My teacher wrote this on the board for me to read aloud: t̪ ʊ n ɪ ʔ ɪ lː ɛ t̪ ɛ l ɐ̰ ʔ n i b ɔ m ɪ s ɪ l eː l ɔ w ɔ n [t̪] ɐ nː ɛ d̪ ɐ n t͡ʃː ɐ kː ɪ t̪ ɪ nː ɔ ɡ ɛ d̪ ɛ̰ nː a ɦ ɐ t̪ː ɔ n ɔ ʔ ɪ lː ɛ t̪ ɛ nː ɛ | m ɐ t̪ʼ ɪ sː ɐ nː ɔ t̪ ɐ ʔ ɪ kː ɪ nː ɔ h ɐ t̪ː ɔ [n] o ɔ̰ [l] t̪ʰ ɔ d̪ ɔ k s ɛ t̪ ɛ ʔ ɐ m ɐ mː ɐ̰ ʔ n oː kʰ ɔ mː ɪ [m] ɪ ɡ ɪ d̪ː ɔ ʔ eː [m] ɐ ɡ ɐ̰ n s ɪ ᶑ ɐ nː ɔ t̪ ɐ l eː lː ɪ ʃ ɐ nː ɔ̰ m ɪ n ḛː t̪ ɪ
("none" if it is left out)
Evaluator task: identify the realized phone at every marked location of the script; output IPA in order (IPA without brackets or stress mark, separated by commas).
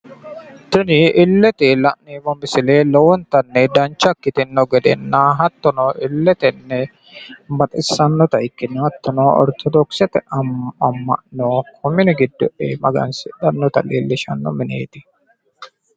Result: t̪, n, ɾ, n, m